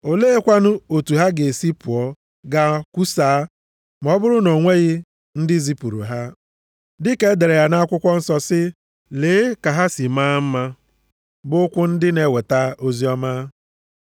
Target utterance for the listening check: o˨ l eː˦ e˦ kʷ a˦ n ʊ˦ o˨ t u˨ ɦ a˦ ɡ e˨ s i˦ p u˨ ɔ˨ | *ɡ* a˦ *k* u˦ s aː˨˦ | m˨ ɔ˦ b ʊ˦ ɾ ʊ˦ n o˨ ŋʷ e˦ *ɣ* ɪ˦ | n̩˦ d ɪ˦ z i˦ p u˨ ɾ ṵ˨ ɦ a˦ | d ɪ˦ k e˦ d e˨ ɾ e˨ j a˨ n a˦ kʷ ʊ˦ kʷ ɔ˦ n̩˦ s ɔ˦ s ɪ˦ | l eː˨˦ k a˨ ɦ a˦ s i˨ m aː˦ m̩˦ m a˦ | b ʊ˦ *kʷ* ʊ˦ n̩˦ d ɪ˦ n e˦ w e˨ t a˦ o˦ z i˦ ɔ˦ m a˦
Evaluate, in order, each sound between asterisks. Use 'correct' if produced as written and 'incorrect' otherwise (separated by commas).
correct, correct, correct, correct